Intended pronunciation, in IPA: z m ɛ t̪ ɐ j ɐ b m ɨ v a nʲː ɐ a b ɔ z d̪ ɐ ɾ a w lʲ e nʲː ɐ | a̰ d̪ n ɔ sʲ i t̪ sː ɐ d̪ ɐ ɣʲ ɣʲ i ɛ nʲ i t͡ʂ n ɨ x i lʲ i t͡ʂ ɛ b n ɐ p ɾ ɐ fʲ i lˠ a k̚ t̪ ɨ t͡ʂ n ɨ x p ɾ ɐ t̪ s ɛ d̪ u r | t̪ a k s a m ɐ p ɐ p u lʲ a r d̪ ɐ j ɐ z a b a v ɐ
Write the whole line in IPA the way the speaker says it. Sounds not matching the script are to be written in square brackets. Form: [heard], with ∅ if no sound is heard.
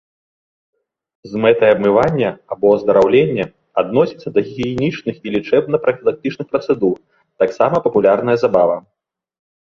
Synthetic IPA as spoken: z m ɛ t̪ ɐ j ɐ b m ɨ v a nʲː ɐ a b ɔ z d̪ ɐ ɾ a w lʲ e nʲː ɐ | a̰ d̪ n ɔ sʲ i t̪ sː ɐ d̪ ɐ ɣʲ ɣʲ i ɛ nʲ i t͡ʂ n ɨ x i lʲ i t͡ʂ ɛ b n ɐ p ɾ ɐ fʲ i lˠ a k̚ t̪ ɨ t͡ʂ n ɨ x p ɾ ɐ t̪ s ɛ d̪ u r | t̪ a k s a m ɐ p ɐ p u lʲ a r [n̪] ɐ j ɐ z a b a v ɐ

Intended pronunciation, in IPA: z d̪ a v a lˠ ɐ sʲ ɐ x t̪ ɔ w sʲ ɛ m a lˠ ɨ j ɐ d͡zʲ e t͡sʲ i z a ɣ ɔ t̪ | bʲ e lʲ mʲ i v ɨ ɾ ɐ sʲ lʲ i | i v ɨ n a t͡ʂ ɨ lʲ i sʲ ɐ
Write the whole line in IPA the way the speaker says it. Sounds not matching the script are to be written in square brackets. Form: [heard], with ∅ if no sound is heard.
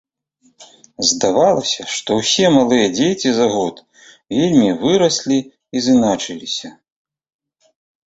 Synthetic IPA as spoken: z d̪ a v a lˠ ɐ sʲ ɐ [ʂ] t̪ ɔ w sʲ ɛ m a lˠ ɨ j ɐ d͡zʲ e t͡sʲ i z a ɣ ɔ t̪ | [vʲ] e lʲ mʲ i v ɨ ɾ ɐ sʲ lʲ i | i [z] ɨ n a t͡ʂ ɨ lʲ i sʲ ɐ

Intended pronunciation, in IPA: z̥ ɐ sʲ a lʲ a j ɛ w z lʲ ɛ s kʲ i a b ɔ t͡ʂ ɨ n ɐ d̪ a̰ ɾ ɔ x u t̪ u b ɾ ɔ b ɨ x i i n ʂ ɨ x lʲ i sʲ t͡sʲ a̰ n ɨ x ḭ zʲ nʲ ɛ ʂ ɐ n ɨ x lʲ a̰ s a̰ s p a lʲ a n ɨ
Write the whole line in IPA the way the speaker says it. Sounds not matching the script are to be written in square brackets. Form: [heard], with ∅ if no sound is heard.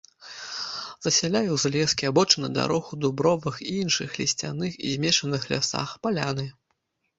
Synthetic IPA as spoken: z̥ ɐ sʲ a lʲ a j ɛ w z lʲ ɛ s kʲ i a b ɔ t͡ʂ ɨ n ɐ d̪ a̰ ɾ ɔ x u [d̪] u b ɾ ɔ [v] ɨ x i i n ʂ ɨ x lʲ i sʲ t͡sʲ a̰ n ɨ x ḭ zʲ [mʲ] ɛ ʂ ɐ n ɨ x lʲ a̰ s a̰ [x] p a lʲ a n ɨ

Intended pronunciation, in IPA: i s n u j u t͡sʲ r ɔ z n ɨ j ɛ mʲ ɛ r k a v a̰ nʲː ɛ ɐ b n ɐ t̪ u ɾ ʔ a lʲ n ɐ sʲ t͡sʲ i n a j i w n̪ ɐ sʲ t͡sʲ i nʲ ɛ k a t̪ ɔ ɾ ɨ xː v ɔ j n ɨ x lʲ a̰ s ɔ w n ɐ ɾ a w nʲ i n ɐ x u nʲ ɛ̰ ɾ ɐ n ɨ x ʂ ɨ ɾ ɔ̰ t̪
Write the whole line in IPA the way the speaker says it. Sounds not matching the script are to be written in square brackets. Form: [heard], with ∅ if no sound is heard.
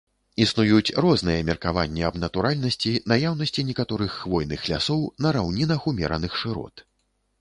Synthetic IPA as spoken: i s n u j u t͡sʲ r ɔ z n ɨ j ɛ mʲ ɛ r k a v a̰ nʲː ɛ ɐ b n ɐ t̪ u ɾ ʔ a lʲ n ɐ sʲ t͡sʲ i n a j [a] w n̪ ɐ sʲ t͡sʲ i nʲ ɛ k a t̪ ɔ ɾ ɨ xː v ɔ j n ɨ x lʲ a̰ s ɔ w n ɐ ɾ a w nʲ i n ɐ x u [mʲ] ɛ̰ ɾ ɐ n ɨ x ʂ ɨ ɾ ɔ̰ t̪

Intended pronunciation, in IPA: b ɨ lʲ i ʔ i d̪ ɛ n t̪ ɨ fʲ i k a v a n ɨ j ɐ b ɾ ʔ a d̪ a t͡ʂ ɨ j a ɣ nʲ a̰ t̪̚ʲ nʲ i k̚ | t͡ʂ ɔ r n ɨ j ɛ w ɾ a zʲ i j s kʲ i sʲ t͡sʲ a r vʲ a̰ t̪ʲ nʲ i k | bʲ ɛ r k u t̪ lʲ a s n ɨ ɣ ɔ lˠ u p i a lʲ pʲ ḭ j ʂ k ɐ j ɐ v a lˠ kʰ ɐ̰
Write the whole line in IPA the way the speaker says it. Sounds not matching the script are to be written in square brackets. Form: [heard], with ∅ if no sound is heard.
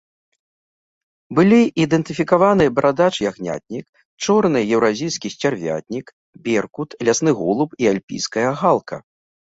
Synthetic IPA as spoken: b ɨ lʲ i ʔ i d̪ ɛ n t̪ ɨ fʲ i k a v a n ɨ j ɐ b ɾ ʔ a d̪ a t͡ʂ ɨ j a ɣ nʲ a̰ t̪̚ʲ nʲ i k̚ | t͡ʂ ɔ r n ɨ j ɛ w ɾ a zʲ i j s kʲ i sʲ t͡sʲ a r vʲ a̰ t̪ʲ nʲ i k | bʲ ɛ r k u t̪ lʲ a s n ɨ ɣ ɔ lˠ u p i a lʲ pʲ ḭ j [s] k ɐ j ɐ [ɣ] a lˠ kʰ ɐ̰

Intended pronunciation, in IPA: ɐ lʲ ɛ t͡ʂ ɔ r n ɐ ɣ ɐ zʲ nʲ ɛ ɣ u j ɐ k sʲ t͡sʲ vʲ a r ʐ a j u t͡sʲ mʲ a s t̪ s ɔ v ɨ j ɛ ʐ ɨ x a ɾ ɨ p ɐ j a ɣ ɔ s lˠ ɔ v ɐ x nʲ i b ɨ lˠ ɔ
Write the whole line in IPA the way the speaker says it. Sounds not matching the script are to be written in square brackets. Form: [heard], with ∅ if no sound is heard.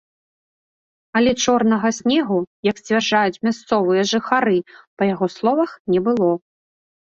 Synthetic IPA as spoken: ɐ lʲ ɛ t͡ʂ ɔ r n ɐ ɣ ɐ [sʲ] nʲ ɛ ɣ u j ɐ k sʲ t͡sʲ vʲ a r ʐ a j u t͡sʲ mʲ a s t̪ s ɔ v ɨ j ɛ ʐ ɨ x a ɾ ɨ p ɐ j a ɣ ɔ s lˠ ɔ v ɐ x nʲ [ɛ] b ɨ lˠ ɔ

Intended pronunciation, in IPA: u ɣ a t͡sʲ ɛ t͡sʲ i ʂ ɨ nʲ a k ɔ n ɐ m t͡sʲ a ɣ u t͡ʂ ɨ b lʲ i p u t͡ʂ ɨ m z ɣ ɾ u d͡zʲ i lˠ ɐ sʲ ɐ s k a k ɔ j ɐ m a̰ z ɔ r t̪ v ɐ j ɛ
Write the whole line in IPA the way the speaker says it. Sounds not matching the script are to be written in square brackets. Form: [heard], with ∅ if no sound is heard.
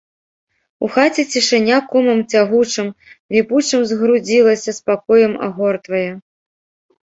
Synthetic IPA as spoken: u [x] a t͡sʲ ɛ t͡sʲ i ʂ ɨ nʲ a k ɔ [m] ɐ m t͡sʲ a ɣ u t͡ʂ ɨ [m] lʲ i p u t͡ʂ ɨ m z ɣ ɾ u d͡zʲ i lˠ ɐ sʲ ɐ s [p] a k ɔ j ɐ m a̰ [ɣ] ɔ r t̪ v ɐ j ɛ

